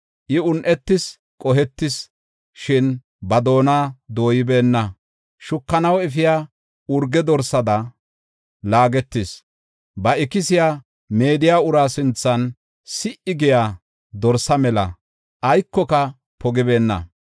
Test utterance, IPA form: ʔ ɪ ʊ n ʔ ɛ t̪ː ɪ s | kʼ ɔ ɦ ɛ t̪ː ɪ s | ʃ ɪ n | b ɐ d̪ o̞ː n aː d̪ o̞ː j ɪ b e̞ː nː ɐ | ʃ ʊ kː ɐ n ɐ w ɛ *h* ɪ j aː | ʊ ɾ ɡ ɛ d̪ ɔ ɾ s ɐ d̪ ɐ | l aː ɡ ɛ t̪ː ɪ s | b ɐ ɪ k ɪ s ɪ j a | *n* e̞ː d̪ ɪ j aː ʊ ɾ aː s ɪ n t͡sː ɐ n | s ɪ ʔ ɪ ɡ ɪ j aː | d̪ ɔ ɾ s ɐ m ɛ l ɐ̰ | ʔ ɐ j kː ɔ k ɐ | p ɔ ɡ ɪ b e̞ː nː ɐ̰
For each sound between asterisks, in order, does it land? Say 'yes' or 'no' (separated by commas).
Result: no, no